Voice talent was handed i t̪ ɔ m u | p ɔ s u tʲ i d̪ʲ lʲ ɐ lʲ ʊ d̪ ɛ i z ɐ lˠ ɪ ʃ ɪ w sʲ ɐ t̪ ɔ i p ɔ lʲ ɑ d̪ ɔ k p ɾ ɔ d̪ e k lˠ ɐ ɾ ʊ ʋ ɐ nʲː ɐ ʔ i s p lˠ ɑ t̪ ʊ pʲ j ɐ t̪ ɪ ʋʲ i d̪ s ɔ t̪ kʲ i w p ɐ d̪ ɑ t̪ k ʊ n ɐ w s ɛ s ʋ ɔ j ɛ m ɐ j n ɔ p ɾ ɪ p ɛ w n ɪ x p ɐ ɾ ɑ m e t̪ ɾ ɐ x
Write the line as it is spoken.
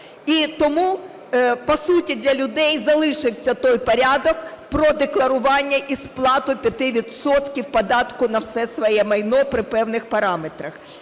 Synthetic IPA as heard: i t̪ ɔ m u | p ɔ s u tʲ i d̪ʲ lʲ ɐ lʲ ʊ d̪ ɛ j z ɐ lˠ ɪ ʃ ɪ w sʲ ɐ t̪ ɔ j p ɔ ɾʲ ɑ d̪ ɔ k p ɾ ɔ d̪ e k lˠ ɐ ɾ ʊ ʋ ɑ nʲː ɐ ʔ i s p lˠ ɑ t̪ ʊ pʲ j ɐ t̪ ɪ ʋʲ i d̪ s ɔ t̪ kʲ i w p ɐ d̪ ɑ t̪ k ʊ n ɐ w s ɛ s ʋ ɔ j ɛ m ɐ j n ɔ p ɾ ɪ p ɛ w n ɪ x p ɐ ɾ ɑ m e t̪ ɾ ɐ x